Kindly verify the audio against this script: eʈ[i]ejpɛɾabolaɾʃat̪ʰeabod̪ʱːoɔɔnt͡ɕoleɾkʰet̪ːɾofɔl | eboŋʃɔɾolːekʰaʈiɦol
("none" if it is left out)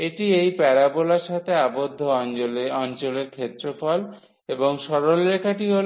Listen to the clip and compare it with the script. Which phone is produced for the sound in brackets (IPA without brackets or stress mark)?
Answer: i